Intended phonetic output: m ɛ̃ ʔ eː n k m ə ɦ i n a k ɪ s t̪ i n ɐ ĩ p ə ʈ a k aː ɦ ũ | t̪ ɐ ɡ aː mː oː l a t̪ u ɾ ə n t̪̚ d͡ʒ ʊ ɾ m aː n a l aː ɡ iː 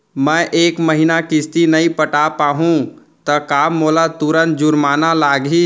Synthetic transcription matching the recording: m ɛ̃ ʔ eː k m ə ɦ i n a k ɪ s t̪ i n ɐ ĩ p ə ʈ a p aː ɦ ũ | t̪ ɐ k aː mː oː l a t̪ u ɾ ə n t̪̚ d͡ʒ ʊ ɾ m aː n a l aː ɡ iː